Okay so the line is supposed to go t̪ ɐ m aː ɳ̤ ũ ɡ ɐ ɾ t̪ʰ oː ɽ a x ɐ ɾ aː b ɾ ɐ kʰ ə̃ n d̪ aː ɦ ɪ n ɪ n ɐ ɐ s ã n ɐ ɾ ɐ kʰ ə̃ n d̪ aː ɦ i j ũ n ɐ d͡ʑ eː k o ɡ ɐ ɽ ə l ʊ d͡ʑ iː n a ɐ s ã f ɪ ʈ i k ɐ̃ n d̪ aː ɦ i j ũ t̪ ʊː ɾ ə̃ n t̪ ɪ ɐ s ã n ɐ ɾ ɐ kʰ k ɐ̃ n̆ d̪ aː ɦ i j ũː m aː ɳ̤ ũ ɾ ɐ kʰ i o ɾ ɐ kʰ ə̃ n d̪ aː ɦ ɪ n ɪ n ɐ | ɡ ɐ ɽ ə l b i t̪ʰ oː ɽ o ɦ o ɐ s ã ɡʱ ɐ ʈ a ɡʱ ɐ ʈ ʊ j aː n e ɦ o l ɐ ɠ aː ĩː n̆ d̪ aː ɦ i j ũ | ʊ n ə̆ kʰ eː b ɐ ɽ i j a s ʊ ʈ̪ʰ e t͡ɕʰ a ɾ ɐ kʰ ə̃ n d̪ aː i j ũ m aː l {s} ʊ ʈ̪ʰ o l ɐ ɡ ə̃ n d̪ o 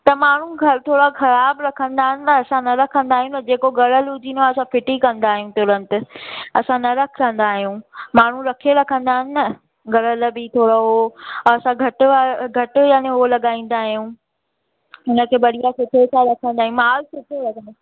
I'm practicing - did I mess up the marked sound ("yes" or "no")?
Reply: no